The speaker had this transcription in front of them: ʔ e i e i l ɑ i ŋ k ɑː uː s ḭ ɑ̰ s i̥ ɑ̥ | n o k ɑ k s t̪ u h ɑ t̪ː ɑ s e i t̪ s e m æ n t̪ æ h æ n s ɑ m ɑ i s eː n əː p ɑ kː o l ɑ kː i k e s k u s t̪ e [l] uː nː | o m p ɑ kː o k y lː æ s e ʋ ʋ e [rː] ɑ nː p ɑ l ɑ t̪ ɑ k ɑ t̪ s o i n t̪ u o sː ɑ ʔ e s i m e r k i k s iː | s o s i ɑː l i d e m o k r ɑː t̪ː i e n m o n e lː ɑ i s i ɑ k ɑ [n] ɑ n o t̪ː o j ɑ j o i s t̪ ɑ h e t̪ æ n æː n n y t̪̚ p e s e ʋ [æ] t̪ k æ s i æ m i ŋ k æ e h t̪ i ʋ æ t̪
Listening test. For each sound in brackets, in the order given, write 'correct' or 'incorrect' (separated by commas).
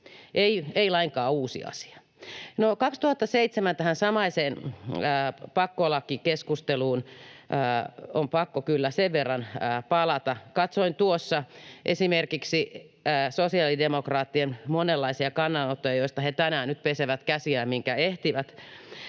correct, correct, incorrect, correct